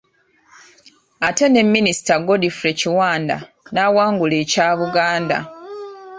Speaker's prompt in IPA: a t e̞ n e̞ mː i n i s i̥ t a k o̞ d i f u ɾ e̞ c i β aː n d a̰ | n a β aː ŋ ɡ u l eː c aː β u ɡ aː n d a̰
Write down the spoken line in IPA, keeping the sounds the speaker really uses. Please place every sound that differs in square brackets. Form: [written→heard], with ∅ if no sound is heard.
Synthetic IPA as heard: a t e̞ n e̞ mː i n i s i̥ t a [k→ɡ] o̞ d i f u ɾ e̞ c i [β→w] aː n d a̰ | n a [β→w] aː ŋ ɡ u l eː c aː β u ɡ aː n d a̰